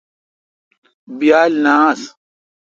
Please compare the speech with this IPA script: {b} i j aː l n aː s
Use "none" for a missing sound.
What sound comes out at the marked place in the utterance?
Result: b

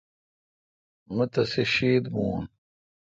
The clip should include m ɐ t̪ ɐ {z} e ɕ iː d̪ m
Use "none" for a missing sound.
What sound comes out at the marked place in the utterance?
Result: s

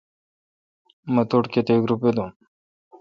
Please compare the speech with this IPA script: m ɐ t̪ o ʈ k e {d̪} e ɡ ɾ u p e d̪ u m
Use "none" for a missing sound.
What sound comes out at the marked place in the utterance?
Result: t̪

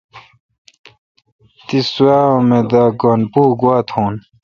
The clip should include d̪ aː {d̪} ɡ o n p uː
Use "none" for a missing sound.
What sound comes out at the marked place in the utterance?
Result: none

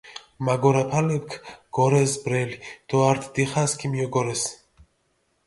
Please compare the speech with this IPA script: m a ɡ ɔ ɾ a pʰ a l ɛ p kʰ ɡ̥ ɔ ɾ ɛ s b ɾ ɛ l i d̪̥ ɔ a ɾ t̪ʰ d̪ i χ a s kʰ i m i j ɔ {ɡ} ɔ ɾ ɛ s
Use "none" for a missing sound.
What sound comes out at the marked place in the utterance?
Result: ɡ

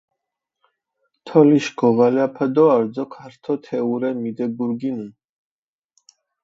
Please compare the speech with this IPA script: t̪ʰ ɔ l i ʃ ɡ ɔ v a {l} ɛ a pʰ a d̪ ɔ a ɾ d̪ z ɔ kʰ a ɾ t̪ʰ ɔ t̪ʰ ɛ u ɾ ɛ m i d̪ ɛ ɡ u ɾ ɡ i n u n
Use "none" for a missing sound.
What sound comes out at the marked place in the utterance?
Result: l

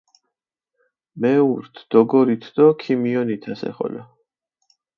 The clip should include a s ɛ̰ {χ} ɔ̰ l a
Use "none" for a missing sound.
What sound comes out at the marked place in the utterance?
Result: χ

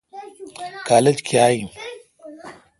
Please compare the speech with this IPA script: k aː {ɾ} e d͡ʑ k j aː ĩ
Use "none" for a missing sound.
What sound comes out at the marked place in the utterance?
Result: l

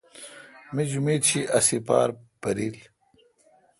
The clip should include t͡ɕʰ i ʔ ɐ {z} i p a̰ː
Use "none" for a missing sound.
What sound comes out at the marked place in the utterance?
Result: s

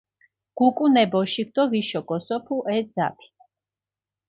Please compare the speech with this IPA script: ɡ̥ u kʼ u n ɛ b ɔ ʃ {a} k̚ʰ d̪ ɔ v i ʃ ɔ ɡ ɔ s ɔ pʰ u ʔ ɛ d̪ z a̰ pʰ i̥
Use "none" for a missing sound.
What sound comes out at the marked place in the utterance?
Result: i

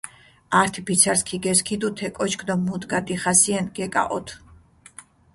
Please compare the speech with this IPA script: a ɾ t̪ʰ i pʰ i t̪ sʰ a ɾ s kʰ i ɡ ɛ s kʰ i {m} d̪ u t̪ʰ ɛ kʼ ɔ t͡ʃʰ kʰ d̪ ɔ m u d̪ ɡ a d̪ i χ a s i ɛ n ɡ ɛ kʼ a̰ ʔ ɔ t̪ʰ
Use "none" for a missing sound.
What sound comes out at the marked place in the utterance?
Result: none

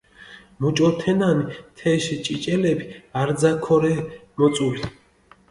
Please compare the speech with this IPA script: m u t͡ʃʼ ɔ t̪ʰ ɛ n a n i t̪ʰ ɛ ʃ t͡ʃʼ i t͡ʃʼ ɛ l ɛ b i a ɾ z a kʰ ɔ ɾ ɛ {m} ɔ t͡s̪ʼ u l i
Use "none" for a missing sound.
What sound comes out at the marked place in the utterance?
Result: m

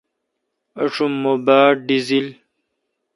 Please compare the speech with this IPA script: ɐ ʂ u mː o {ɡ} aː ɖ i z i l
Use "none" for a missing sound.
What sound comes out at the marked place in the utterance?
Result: b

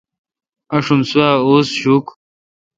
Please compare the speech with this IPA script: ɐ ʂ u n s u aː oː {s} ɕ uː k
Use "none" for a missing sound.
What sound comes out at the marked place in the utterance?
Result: s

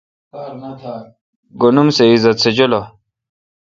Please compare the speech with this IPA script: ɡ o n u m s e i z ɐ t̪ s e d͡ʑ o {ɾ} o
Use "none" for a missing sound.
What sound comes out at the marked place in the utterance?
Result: l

